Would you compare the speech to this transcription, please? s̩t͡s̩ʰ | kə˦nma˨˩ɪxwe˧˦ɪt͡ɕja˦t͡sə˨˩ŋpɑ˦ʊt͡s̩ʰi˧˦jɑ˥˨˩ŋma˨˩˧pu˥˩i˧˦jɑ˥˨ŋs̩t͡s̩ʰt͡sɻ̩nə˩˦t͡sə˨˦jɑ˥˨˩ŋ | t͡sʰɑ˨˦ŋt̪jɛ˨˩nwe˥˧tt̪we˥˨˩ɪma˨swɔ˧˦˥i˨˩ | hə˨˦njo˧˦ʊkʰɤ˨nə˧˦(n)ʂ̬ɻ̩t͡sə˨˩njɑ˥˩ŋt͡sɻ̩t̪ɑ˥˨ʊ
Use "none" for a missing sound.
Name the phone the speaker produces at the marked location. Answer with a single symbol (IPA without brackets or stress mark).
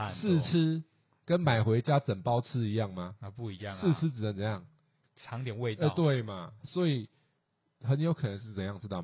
ŋ